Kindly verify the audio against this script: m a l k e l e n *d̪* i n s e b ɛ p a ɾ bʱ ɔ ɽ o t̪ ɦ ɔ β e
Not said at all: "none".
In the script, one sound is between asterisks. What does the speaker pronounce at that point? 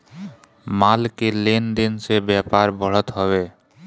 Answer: d̪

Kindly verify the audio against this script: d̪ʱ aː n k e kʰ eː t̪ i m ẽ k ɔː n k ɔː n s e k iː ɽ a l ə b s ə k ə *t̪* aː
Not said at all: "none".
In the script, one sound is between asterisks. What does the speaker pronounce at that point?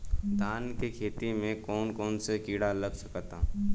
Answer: t̪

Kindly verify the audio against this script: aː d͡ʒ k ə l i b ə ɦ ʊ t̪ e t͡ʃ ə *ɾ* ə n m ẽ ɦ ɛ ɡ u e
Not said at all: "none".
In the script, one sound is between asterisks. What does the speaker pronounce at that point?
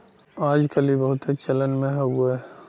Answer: l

